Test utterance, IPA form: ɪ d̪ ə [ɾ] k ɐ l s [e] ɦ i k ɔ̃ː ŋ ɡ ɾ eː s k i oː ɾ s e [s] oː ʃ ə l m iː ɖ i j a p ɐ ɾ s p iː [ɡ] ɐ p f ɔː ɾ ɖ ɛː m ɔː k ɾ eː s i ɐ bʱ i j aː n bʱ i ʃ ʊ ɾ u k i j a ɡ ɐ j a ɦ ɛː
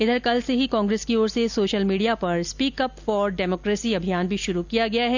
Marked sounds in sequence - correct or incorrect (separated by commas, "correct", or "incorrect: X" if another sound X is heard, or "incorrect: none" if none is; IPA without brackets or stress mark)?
correct, correct, correct, incorrect: k